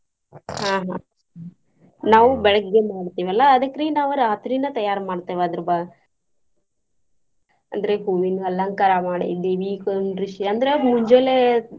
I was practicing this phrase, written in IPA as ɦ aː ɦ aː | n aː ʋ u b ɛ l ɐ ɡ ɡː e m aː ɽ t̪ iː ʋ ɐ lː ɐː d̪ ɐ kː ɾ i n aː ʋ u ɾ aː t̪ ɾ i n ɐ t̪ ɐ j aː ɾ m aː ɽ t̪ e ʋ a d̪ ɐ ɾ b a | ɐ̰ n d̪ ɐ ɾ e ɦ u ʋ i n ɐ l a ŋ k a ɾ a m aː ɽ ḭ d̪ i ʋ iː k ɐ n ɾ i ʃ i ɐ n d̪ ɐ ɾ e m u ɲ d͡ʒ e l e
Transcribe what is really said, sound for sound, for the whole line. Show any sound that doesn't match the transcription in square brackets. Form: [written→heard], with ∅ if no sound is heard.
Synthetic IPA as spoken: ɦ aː ɦ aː | n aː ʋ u b ɛ [l→ɭ] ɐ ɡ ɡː e m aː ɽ t̪ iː ʋ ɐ lː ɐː d̪ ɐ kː ɾ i n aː ʋ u ɾ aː t̪ ɾ i n ɐ t̪ ɐ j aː ɾ m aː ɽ t̪ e ʋ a d̪ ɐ ɾ b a | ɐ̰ n d̪ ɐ ɾ e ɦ u ʋ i n ɐ l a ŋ k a ɾ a m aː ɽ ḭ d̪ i ʋ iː k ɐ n ɾ i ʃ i ɐ n d̪ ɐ ɾ e m u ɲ d͡ʒ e l e